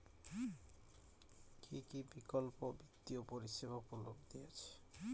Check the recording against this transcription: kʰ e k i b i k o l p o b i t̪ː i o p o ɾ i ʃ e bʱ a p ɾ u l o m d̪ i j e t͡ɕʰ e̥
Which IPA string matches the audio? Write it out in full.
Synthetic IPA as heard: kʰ i k i b i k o l p o b i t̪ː i o p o ɾ i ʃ e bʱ a p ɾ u l o b d̪ i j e t͡ɕʰ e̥